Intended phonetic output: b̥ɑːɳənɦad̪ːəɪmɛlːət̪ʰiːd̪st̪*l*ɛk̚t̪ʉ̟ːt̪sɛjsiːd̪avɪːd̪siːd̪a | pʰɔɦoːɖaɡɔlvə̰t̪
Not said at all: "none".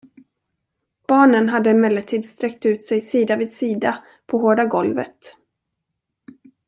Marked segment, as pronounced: ɾ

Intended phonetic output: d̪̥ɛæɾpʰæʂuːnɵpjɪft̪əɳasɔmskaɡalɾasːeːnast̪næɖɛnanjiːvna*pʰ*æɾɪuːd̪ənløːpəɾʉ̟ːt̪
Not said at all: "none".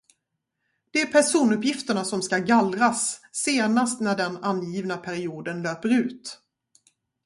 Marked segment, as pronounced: pʰ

